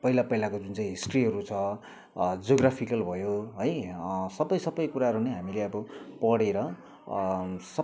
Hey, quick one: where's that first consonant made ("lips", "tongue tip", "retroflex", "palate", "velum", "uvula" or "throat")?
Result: lips